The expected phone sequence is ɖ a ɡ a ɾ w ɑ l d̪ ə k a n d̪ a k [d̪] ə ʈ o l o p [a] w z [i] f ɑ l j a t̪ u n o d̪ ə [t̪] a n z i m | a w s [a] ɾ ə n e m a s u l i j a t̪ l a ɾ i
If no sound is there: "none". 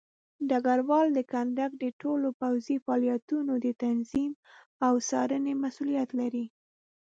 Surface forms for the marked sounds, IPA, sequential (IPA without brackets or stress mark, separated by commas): d̪, a, i, t̪, ɑ